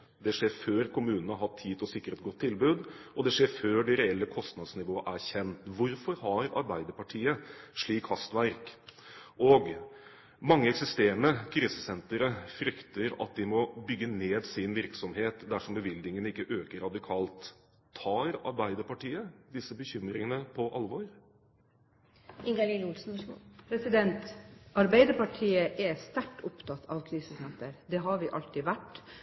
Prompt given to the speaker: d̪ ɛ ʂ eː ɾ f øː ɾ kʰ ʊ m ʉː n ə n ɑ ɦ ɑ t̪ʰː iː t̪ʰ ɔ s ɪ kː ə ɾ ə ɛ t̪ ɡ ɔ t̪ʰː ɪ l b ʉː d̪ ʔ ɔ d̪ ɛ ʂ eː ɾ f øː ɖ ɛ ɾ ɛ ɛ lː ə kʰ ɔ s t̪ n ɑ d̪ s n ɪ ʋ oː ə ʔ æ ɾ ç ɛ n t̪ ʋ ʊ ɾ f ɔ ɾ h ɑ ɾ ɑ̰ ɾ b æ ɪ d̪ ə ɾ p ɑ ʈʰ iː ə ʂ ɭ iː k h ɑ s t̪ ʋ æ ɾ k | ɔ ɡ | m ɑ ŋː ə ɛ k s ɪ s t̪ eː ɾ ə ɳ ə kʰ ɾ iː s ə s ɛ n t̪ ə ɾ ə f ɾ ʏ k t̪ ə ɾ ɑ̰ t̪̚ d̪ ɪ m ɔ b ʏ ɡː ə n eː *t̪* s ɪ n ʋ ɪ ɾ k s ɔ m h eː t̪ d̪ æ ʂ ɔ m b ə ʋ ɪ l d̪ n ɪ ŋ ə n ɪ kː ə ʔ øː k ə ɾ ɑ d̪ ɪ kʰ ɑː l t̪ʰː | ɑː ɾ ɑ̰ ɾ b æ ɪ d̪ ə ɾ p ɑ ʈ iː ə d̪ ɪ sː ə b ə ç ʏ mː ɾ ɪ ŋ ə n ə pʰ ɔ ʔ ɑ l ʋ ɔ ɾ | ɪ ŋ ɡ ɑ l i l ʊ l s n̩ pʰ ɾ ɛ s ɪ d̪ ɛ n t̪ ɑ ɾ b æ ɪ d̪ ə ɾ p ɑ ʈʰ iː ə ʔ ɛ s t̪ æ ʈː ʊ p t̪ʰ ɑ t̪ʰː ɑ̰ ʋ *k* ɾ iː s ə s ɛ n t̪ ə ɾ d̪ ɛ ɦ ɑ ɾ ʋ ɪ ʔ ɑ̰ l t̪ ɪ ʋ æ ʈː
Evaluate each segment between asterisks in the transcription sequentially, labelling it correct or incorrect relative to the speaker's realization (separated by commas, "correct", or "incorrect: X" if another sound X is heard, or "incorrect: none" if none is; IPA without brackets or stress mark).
incorrect: d̪, incorrect: kʰ